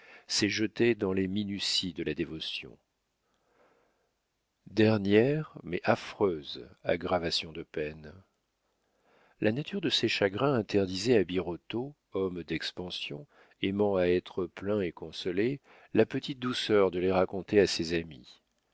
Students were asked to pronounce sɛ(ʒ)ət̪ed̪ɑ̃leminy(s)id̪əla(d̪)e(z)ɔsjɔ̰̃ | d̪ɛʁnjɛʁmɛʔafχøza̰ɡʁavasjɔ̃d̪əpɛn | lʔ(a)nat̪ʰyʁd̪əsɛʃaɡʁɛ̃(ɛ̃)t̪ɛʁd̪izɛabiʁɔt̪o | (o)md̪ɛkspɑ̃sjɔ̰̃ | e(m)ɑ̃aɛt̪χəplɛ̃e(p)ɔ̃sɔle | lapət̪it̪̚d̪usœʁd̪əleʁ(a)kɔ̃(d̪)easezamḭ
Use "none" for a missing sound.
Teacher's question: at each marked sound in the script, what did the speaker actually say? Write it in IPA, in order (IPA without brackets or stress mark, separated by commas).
ʒ, s, d̪, v, a, ɛ̃, ɔ, m, k, a, t̪